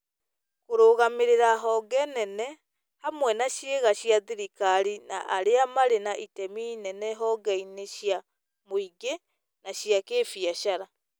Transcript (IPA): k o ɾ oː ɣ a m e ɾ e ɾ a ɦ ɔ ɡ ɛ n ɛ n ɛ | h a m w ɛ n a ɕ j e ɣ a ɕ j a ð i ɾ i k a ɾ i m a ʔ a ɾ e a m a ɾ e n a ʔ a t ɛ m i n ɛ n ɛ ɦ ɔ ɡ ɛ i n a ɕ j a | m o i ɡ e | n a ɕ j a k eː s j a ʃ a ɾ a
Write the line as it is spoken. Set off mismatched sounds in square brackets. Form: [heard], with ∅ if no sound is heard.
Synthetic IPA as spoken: k o ɾ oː ɣ a m e ɾ e ɾ a ɦ ɔ ɡ ɛ n ɛ n ɛ | h a m w ɛ n a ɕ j e ɣ a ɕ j a ð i ɾ i k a ɾ i [n] a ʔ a ɾ e a m a ɾ e n a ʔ [i] t ɛ m i n ɛ n ɛ ɦ ɔ ɡ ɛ i n [e] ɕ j a | m o i ɡ e | n a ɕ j a k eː [f] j a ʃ a ɾ a